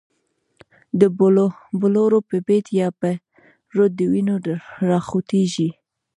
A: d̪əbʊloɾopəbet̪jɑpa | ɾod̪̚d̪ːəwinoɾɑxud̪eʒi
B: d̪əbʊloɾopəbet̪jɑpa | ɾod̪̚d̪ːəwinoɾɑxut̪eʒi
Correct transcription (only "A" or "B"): B